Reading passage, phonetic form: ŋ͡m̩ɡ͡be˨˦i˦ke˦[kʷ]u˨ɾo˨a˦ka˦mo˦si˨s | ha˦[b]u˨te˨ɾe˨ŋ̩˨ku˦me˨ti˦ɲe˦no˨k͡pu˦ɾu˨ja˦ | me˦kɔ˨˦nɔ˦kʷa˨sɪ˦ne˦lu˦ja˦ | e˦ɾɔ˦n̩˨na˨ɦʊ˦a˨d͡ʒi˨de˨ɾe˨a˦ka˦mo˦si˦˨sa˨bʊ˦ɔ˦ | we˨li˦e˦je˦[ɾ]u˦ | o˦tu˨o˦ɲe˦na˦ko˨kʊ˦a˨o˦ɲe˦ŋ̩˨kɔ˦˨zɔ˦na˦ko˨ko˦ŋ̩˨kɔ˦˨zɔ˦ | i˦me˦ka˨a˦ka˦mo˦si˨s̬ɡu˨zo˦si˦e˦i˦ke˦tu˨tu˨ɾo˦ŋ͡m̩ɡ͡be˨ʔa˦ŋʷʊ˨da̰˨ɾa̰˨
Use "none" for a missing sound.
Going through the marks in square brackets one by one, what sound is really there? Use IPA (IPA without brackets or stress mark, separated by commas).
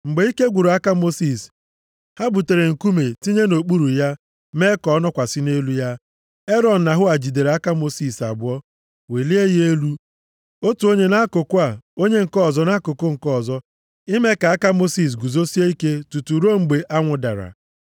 ɡʷ, b, l